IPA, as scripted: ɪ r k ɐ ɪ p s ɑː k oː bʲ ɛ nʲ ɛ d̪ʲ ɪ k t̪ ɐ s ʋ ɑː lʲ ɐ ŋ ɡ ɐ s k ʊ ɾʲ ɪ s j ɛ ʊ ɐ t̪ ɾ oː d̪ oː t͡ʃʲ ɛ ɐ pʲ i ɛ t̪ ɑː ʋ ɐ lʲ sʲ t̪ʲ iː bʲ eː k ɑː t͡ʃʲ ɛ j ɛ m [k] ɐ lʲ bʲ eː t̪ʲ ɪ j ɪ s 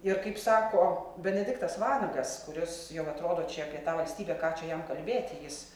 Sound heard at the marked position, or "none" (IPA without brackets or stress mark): k